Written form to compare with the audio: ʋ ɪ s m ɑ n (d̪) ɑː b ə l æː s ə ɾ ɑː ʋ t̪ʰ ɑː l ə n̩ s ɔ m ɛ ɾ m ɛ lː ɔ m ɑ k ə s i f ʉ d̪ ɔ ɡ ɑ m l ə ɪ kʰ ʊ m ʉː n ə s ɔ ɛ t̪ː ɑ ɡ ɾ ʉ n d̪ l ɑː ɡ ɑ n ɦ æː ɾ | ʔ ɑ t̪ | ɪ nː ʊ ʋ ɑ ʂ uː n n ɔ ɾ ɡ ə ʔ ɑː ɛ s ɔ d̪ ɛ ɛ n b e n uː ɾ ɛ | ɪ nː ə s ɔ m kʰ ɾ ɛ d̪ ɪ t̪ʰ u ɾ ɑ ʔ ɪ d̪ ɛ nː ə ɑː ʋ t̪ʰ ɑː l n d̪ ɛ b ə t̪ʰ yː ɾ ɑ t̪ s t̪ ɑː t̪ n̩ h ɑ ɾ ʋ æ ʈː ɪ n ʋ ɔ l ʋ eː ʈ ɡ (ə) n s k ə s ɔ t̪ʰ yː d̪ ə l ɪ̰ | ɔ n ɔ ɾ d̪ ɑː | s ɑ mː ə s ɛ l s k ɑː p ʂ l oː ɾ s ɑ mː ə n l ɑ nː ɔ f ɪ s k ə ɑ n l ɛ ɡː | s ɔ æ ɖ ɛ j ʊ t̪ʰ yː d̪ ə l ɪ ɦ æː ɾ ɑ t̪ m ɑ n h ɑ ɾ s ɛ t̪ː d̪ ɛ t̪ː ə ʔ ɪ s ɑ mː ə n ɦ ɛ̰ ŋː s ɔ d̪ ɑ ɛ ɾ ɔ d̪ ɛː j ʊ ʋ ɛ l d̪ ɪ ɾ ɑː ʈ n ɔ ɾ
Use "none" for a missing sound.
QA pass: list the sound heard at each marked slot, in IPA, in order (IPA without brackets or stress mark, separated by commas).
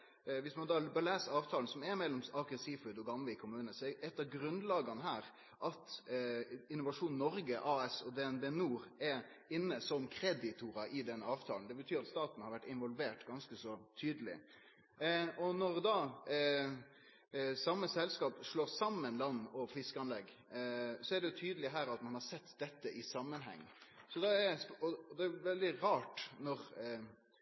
d̪, ɑ